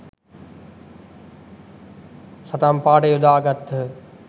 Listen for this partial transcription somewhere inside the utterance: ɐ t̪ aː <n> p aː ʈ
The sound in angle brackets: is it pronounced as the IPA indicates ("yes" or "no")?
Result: no